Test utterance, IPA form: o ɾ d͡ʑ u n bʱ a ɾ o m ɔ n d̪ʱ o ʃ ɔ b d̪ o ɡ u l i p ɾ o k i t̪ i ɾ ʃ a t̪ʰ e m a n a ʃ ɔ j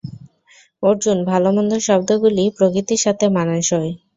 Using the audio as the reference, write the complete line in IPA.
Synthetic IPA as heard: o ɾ d͡ʑ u n bʱ a l o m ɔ n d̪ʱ o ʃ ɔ b d̪ o ɡ u l i p ɾ o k i t̪ i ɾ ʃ a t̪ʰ e m a n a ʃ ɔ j

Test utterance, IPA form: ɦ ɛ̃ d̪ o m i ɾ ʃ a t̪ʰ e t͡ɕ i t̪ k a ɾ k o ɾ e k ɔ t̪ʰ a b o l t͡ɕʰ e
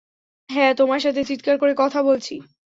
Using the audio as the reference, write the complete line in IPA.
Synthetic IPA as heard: ɦ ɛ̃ t̪ o m a ɾ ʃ a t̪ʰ e t͡ɕ i t̪ k a ɾ k o ɾ e k ɔ t̪ʰ a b o l t͡ɕʰ i

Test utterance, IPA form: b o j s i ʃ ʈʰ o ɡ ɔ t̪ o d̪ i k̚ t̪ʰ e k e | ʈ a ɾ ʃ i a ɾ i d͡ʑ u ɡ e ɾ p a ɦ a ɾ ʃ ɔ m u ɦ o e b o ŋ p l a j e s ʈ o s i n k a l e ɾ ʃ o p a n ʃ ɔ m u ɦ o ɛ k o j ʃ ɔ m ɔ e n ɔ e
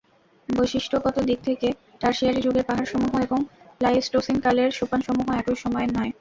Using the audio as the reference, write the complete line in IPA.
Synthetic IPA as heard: b o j ʃ i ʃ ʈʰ o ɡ ɔ t̪ o d̪ i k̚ t̪ʰ e k e | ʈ a ɾ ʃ i a ɾ i d͡ʑ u ɡ e ɾ p a ɦ a ɾ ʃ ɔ m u ɦ o e b o ŋ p l a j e s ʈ o s i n k a l e ɾ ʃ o p a n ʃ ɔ m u ɦ o ɛ k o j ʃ ɔ m ɔ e n ɔ e

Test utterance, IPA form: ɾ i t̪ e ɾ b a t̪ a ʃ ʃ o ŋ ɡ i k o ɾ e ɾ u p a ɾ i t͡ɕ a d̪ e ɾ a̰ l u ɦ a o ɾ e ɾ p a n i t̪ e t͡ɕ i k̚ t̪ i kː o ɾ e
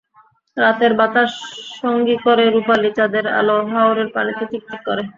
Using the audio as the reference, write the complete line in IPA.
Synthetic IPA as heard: ɾ a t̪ e ɾ b a t̪ a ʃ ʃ o ŋ ɡ i k o ɾ e ɾ u p a l i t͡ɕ a d̪ e ɾ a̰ l o ɦ a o ɾ e ɾ p a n i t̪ e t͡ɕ i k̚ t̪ i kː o ɾ e

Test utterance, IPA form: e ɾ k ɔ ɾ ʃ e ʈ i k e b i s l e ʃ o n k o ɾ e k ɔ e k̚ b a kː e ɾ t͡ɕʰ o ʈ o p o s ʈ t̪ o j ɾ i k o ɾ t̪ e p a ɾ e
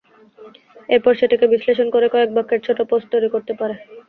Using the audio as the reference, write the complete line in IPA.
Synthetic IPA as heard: e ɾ p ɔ ɾ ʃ e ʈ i k e b i s l e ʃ o n k o ɾ e k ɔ e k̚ b a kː e ɾ t͡ɕʰ o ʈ o p o s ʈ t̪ o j ɾ i k o ɾ t̪ e p a ɾ e

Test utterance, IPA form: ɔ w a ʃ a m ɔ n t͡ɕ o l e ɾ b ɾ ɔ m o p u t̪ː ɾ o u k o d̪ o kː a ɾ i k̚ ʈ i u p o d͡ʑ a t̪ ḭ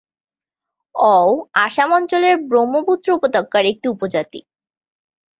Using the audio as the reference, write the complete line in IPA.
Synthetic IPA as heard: ɔ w a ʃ a m ɔ n t͡ɕ o l e ɾ b ɾ o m o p u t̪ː ɾ o u p o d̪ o kː a ɾ e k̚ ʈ i u p o d͡ʑ a t̪ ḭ

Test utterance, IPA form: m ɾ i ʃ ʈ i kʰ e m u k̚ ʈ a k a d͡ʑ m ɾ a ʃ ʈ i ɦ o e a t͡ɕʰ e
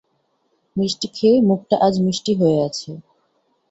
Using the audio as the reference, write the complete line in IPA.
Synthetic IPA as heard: m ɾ i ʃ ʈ i kʰ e m u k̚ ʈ a ʔ a d͡ʑ m ɾ i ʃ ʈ i ɦ o e a t͡ɕʰ e

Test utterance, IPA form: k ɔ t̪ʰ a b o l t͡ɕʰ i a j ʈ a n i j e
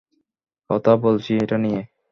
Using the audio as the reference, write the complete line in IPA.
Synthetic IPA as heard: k ɔ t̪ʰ a b o l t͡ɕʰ i e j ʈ a n i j e

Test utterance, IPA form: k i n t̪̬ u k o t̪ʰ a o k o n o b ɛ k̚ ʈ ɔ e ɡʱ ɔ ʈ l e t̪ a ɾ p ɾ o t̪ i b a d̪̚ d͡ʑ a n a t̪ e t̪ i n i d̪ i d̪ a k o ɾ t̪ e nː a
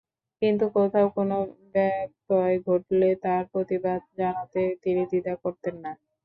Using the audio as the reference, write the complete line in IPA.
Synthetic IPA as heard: k i n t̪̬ u k o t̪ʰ a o k o n o b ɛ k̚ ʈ ɔ e ɡʱ o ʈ l e t̪ a ɾ p ɾ o t̪ i b a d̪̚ d͡ʑ a n a t̪ e t̪ i n i d̪ i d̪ a k o ɾ t̪ e nː a

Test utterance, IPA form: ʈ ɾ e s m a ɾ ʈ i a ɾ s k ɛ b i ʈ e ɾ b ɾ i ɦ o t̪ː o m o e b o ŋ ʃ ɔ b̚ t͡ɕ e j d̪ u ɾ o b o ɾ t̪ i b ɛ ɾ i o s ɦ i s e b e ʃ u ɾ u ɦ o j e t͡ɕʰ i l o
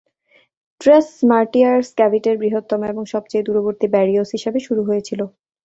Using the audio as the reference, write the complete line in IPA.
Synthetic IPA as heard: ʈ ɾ e s m a ɾ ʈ i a ɾ s k ɛ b i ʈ e ɾ b ɾ i ɦ o t̪ː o m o e b o ŋ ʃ ɔ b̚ t͡ɕ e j d̪ u ɾ o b o ɾ t̪ i b ɛ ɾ i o s ɦ i ʃ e b e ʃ u ɾ u ɦ o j e t͡ɕʰ i l o

